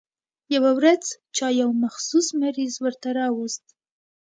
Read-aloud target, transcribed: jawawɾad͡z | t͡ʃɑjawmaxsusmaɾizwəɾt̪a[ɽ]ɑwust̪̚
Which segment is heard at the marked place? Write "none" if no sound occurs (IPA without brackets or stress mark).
ɾ